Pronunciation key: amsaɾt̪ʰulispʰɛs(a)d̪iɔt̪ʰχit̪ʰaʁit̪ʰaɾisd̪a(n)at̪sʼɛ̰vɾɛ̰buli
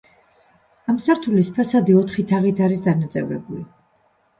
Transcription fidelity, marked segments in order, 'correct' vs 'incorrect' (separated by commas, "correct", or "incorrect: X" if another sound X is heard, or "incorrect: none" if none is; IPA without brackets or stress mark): correct, correct